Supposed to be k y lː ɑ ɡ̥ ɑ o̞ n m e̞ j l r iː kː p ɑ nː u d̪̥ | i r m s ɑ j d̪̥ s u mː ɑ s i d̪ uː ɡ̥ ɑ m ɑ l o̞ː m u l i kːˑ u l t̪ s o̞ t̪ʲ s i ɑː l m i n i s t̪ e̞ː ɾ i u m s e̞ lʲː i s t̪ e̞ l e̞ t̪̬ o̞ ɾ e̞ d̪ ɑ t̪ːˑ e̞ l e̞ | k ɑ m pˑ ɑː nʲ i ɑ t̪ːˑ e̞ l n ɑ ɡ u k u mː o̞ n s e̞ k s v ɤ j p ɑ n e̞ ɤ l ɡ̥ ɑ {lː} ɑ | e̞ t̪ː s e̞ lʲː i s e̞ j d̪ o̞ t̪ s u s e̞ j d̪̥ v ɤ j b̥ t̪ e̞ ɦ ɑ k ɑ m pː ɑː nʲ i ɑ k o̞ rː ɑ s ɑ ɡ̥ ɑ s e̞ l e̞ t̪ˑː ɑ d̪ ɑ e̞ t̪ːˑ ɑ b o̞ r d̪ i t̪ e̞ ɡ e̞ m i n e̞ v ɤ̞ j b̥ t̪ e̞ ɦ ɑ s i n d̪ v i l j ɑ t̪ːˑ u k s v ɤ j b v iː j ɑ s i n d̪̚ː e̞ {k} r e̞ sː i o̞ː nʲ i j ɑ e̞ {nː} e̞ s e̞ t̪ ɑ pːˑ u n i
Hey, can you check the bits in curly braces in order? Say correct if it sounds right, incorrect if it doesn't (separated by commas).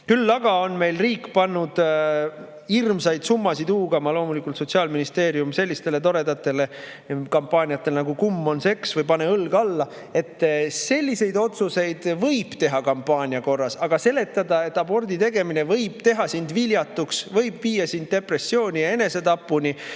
correct, incorrect, incorrect